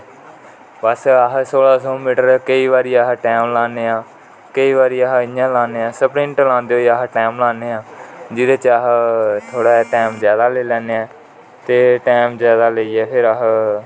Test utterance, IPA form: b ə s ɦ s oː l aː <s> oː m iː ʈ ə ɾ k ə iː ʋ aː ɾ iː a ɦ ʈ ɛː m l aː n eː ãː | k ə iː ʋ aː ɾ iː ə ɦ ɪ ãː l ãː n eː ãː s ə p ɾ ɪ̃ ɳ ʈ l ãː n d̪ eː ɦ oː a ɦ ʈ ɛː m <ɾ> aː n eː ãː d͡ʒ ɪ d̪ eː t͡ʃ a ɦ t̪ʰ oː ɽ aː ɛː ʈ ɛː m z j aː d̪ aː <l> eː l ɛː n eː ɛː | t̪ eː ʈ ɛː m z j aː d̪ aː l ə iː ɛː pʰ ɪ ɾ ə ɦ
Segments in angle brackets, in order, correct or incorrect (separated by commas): correct, incorrect, correct